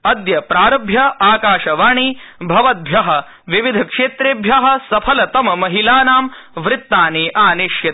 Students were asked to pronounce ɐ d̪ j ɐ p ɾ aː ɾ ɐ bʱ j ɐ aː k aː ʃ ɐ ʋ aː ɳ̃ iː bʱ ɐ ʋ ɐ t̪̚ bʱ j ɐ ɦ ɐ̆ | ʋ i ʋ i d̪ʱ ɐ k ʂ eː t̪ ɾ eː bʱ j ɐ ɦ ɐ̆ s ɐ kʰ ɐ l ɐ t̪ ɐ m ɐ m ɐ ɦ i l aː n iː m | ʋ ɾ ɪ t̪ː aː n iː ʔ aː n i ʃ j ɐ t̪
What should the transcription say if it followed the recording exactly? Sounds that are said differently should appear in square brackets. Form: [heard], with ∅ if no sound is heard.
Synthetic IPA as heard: ɐ d̪ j ɐ p ɾ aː ɾ ɐ bʱ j ɐ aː k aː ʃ ɐ ʋ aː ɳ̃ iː bʱ ɐ ʋ ɐ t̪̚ bʱ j ɐ ɦ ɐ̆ | ʋ i ʋ i d̪ʱ ɐ k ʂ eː t̪ ɾ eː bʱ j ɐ ɦ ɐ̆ s ɐ [pʰ] ɐ l ɐ t̪ ɐ m ɐ m ɐ ɦ i l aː n [aː] m | ʋ ɾ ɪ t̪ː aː n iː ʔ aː n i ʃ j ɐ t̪